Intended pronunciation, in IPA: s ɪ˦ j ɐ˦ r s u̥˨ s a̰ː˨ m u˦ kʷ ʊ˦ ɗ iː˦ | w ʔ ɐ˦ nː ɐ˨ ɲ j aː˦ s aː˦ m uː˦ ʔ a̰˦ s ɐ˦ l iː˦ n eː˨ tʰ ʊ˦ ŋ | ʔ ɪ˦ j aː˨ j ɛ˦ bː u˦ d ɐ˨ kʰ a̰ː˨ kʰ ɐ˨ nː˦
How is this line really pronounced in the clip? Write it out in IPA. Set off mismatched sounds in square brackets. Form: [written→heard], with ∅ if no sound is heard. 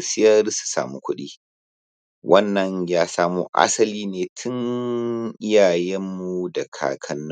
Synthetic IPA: s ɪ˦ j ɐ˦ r s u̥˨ s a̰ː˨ m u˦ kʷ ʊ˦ ɗ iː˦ | w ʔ ɐ˦ nː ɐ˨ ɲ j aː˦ s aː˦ m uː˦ ʔ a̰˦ s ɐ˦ l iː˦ n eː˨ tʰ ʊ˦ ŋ | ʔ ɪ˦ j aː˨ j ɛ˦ [bː→mː] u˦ d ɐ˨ kʰ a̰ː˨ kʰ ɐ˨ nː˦